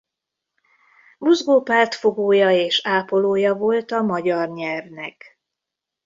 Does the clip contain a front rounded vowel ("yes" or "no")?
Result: no